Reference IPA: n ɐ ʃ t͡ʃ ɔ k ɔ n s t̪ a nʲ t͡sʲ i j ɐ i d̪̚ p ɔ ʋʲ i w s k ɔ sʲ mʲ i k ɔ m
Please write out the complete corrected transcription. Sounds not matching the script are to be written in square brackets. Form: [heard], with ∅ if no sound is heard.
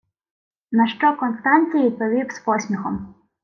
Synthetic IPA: n ɐ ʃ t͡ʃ ɔ k ɔ n s t̪ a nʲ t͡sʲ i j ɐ i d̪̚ p ɔ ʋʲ i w s [p] ɔ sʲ mʲ i [x] ɔ m